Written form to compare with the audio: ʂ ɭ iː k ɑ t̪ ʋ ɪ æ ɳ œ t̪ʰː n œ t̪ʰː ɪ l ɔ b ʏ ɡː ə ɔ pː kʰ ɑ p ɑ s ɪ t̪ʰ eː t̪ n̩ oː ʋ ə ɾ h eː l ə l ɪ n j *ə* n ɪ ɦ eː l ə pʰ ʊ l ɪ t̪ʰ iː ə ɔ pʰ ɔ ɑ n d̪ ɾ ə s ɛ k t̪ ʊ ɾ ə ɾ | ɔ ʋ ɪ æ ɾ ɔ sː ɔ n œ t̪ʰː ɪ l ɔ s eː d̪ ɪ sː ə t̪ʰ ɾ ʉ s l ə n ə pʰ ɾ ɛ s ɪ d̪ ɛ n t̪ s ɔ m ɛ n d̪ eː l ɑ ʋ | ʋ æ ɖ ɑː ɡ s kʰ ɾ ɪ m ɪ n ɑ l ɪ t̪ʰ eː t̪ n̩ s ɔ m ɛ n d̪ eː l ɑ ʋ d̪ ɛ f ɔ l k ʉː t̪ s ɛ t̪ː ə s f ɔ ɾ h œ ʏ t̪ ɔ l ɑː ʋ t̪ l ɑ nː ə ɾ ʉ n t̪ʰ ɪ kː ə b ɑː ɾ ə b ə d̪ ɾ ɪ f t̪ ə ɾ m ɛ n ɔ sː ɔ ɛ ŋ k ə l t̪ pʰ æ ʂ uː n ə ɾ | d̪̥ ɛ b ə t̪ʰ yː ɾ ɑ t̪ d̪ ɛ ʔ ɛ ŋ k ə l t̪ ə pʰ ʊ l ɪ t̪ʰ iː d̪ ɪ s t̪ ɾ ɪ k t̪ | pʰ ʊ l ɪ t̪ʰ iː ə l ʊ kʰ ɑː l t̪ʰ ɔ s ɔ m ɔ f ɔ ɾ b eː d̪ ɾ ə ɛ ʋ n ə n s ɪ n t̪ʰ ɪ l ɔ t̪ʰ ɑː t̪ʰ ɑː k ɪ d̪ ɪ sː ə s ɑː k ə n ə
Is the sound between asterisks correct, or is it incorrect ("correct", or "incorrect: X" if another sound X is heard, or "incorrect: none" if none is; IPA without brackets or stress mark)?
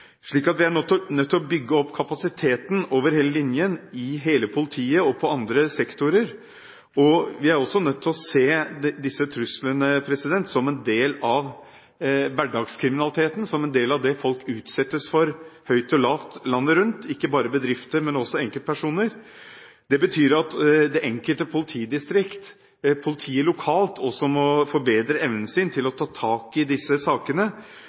correct